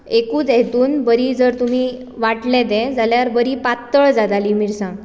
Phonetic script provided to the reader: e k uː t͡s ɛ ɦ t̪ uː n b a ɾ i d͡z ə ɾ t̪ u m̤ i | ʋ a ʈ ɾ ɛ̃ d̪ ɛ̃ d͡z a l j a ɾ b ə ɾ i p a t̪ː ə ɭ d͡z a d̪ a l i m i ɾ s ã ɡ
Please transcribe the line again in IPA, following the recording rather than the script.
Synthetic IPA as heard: e k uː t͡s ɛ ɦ t̪ uː n b ə ɾ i d͡z ə ɾ t̪ u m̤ i | ʋ a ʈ l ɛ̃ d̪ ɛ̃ d͡z a l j a ɾ b ə ɾ i p a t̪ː ə ɭ d͡z a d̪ a l i m i ɾ s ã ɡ